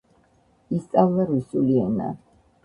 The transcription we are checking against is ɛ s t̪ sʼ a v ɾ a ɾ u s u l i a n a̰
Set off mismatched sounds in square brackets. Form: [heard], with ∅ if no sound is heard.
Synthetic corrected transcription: [i] s t̪ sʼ a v [l] a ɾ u s u l i [ɛ] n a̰